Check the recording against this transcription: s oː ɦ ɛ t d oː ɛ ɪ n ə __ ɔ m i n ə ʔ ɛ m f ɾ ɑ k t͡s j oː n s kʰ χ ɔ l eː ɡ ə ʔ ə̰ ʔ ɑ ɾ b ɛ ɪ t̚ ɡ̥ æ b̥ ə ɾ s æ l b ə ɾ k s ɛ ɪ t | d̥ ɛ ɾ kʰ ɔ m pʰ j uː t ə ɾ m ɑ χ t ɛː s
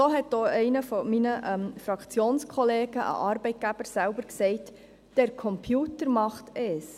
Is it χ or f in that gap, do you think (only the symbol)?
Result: f